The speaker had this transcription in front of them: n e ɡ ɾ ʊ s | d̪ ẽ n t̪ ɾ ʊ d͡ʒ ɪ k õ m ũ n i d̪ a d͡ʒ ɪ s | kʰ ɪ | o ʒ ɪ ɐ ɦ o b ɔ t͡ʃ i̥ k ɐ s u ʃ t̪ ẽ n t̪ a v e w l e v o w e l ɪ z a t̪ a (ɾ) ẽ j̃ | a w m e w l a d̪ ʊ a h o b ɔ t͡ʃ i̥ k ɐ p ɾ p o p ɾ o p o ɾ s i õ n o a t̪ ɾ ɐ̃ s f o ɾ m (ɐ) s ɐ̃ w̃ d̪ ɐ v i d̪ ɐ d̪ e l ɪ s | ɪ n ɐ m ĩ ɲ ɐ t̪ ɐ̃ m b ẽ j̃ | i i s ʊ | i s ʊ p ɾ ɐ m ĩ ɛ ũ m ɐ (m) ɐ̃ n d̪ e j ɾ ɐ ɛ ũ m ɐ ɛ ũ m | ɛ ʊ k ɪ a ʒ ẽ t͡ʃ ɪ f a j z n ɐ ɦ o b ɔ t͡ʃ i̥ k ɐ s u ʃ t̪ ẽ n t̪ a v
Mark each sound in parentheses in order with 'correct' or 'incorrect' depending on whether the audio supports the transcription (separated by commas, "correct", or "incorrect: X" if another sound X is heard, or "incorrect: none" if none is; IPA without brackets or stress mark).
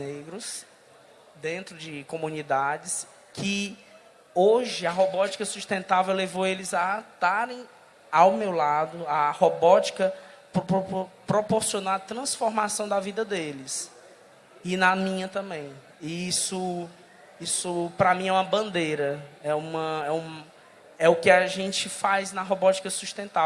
correct, incorrect: a, incorrect: b